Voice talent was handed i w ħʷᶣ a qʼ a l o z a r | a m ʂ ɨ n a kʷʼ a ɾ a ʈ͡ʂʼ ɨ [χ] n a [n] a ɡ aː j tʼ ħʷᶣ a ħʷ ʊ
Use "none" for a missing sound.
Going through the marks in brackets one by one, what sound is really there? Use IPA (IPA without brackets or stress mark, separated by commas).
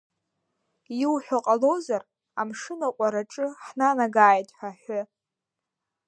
ħ, n